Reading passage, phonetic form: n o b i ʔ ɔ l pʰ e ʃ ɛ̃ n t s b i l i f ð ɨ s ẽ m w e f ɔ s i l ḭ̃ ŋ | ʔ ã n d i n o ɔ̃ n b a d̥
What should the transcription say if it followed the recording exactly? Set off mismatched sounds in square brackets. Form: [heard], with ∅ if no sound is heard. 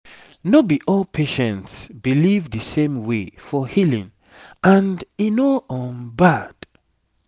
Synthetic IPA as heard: n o b i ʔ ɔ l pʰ e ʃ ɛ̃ n t s b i l i [v] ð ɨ s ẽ m w e f ɔ [h] i l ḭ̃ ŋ | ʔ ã n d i n o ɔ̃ n b a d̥